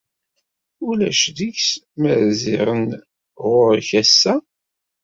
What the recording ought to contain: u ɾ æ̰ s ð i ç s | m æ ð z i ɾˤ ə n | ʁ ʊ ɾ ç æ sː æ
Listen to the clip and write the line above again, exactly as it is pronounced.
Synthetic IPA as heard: u l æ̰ ʃ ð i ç s | m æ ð z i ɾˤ ə n | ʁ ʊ ɾ ç æ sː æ